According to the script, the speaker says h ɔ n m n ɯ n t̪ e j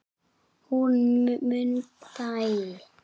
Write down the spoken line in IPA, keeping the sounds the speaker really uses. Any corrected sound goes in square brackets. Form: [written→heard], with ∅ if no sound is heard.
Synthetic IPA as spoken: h [ɔ→u] n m [n→m] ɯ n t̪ [e→a] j